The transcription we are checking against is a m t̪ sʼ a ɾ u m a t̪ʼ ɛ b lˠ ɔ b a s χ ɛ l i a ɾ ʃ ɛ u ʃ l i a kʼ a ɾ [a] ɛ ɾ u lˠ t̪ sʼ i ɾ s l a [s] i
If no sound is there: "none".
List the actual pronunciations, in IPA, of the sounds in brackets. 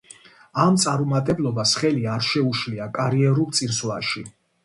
i, ʃ

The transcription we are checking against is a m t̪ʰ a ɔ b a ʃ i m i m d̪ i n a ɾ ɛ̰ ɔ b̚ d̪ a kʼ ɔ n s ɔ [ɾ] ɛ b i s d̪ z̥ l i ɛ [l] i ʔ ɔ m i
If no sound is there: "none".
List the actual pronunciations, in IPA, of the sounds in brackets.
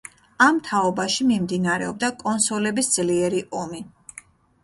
l, ɾ

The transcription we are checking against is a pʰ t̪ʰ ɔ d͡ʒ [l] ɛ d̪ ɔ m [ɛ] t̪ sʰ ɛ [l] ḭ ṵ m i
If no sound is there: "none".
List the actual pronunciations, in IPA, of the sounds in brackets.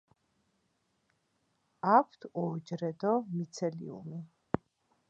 ɾ, i, l

